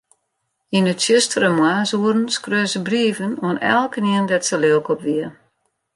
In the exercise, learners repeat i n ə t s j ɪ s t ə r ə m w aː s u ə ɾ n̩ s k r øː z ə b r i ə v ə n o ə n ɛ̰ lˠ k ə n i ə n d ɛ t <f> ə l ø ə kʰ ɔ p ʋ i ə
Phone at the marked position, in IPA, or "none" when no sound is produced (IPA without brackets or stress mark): s